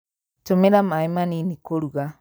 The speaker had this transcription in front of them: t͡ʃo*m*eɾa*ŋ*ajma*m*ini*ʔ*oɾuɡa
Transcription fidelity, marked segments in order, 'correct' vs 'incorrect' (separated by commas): correct, incorrect, incorrect, incorrect